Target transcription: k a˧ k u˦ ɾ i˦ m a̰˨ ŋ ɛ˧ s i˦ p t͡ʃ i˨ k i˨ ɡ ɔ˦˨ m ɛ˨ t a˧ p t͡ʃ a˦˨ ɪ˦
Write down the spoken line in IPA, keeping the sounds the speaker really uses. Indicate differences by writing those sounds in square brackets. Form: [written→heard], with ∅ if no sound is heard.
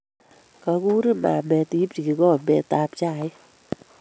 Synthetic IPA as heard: k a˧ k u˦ ɾ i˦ m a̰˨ [ŋ→m] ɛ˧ [s→t] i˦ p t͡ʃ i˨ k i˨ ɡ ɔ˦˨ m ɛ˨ t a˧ p t͡ʃ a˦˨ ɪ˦